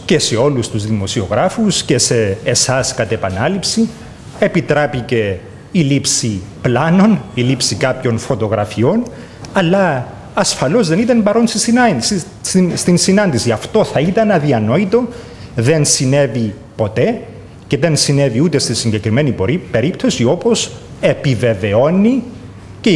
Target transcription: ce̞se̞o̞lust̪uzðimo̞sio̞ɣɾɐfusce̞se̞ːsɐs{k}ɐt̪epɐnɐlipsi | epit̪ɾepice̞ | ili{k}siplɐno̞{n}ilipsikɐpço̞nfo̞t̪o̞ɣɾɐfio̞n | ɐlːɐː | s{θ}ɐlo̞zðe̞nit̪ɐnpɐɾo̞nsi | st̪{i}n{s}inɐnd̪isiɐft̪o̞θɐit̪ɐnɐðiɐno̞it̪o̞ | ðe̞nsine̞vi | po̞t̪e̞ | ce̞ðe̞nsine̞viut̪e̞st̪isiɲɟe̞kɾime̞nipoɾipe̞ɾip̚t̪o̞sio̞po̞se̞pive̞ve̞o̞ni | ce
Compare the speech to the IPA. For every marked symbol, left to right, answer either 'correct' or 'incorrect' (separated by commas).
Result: correct, incorrect, correct, incorrect, correct, correct